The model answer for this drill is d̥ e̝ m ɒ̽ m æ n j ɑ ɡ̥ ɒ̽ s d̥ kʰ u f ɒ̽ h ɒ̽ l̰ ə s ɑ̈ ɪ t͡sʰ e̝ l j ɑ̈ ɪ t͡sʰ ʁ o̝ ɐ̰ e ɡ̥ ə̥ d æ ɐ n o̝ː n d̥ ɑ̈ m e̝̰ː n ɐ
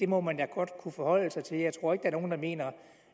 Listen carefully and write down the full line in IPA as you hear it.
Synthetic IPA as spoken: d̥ e̝ m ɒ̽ m æ n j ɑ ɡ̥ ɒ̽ d̥ kʰ u f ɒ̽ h ɒ̽ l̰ ə s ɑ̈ ɪ t͡sʰ e̝ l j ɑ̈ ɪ t͡sʰ ʁ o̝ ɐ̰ e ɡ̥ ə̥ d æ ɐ n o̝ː n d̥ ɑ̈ m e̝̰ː n ɐ